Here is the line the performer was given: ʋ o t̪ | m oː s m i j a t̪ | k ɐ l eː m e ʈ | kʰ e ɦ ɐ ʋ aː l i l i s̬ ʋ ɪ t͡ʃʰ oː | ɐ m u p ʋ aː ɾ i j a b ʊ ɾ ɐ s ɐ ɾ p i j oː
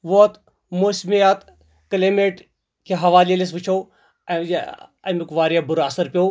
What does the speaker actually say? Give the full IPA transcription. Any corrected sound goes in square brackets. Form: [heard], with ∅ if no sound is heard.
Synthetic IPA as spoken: ʋ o t̪ | m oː s m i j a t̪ | k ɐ l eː m e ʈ | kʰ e ɦ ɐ ʋ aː l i l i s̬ ʋ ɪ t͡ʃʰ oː | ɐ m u [k] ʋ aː ɾ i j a b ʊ ɾ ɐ s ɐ ɾ p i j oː